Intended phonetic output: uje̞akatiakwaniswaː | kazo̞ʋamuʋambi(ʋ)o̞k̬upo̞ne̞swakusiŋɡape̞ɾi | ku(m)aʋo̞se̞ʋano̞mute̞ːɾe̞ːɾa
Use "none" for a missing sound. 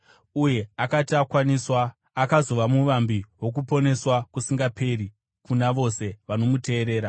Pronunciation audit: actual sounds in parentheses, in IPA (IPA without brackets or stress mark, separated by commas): w, n